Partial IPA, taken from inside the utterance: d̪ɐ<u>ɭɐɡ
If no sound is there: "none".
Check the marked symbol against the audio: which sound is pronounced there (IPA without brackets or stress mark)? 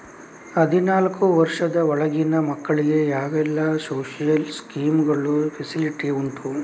ɔ